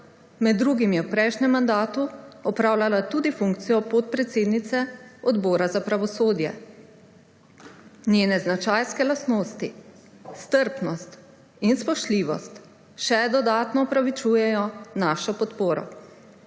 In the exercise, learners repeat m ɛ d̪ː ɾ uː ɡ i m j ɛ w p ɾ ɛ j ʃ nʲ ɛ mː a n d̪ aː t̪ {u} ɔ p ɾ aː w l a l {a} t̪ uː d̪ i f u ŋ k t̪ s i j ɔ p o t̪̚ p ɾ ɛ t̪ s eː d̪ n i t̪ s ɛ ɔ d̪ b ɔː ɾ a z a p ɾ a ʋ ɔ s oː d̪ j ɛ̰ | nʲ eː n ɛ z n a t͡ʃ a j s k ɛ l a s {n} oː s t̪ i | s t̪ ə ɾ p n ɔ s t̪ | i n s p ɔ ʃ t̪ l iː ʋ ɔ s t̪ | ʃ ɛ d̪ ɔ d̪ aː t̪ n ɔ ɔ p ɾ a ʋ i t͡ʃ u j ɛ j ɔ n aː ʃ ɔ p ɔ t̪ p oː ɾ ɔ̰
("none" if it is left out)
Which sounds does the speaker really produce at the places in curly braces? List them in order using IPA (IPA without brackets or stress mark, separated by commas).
u, a, n